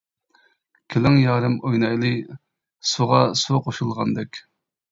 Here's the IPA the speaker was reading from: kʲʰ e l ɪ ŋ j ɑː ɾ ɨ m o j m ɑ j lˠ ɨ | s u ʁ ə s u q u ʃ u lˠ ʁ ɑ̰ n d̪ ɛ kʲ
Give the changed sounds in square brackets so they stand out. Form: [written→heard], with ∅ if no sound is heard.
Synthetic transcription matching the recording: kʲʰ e l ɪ ŋ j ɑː ɾ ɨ m o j [m→n] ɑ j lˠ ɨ | s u ʁ [ə→ɑ] s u q [u→o] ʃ u lˠ ʁ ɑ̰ n d̪ ɛ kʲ